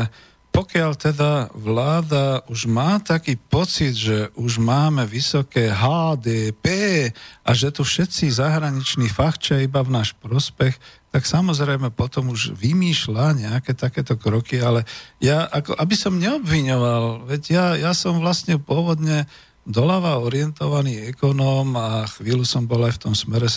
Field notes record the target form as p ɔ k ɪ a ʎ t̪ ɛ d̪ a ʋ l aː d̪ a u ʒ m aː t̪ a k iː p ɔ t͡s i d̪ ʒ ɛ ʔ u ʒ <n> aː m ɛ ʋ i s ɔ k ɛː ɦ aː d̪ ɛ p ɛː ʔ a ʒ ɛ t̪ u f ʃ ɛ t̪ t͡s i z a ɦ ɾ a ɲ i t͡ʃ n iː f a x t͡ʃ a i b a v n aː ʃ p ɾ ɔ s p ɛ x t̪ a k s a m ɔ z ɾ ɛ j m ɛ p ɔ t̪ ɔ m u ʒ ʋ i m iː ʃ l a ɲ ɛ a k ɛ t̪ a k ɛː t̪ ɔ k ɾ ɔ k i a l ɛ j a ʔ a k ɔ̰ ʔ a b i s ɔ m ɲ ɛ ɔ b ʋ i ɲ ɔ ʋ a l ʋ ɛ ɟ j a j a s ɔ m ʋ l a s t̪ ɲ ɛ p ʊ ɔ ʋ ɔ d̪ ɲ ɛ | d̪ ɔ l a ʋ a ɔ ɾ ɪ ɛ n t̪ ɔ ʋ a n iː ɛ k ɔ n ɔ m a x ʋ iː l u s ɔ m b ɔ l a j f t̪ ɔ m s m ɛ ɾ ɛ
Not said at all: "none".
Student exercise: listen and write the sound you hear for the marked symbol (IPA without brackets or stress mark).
m